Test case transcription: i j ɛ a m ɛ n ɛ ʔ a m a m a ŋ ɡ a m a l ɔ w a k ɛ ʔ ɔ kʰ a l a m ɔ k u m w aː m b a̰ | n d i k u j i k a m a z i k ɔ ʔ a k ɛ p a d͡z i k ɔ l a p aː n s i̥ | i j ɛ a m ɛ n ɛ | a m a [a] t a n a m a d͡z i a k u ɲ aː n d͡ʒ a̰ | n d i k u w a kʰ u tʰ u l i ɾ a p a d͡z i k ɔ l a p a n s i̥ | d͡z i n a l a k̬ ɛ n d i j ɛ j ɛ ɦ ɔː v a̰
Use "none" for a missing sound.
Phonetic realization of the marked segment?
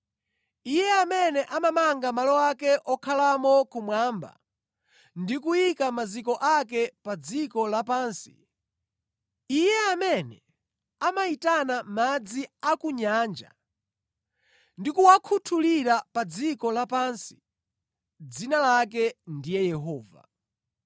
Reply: i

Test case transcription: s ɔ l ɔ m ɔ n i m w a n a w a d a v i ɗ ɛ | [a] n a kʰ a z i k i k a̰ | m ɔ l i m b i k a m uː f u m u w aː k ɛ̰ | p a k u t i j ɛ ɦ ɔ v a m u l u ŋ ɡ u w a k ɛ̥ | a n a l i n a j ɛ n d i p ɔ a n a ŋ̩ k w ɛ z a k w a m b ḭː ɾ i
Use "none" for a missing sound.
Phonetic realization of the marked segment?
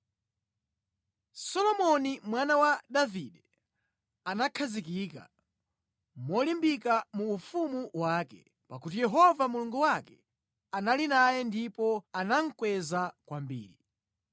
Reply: a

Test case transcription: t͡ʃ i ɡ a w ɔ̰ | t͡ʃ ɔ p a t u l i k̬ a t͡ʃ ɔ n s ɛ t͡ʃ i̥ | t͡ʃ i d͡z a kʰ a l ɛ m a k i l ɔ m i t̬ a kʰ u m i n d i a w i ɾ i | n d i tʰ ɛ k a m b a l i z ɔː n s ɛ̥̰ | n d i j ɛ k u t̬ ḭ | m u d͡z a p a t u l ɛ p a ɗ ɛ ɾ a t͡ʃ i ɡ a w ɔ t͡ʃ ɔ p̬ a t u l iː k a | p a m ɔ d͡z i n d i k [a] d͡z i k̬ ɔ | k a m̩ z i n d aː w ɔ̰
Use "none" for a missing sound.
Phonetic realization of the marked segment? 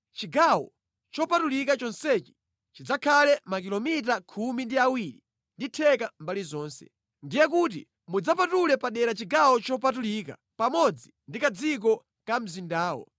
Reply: a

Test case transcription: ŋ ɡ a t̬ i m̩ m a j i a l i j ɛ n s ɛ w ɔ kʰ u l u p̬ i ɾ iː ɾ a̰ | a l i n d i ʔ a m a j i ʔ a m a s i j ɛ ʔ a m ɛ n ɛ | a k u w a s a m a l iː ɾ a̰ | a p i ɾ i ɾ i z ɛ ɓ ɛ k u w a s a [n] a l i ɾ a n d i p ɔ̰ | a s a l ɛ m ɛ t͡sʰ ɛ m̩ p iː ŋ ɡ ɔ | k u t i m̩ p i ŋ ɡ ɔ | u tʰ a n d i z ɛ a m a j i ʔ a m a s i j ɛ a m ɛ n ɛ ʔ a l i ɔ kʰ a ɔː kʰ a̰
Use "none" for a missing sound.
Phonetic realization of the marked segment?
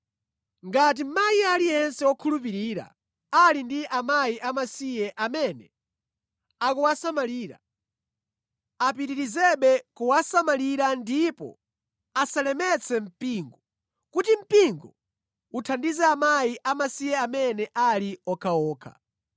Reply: m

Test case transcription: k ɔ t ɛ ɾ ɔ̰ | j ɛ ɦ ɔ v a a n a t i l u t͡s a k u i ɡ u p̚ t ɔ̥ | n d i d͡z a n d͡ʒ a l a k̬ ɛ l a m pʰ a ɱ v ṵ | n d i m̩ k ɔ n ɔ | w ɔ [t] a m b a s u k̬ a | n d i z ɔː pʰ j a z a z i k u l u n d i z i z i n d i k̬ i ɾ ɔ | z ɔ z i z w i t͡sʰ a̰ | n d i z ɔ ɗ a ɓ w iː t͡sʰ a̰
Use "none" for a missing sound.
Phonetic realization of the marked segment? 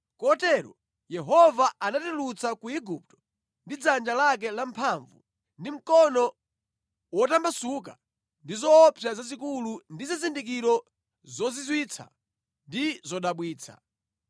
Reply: t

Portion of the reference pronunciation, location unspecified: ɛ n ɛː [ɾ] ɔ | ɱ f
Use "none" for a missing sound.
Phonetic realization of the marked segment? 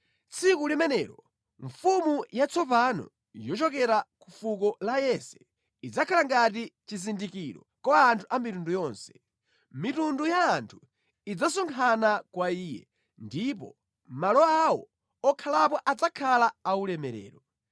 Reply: ɾ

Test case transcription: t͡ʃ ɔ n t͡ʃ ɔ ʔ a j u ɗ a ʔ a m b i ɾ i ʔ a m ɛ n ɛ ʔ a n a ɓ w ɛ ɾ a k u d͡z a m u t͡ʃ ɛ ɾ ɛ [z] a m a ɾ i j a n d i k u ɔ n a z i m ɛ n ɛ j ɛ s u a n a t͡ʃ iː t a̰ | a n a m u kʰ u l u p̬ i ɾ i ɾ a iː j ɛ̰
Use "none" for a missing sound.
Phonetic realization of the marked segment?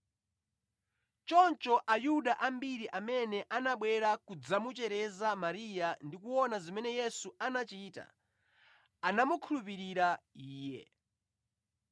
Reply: z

